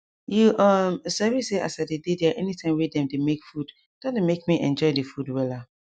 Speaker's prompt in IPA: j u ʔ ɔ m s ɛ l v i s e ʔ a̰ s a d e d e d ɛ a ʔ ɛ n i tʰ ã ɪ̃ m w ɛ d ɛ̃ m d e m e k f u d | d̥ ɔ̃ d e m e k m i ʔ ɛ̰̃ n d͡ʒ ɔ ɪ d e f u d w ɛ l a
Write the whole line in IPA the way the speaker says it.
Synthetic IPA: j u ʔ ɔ m s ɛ v i s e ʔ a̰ s a d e d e d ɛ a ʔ ɛ n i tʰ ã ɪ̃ m w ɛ d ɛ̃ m d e m e k f u d | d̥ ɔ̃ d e m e k m i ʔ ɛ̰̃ n d͡ʒ ɔ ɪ d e f u d w ɛ l a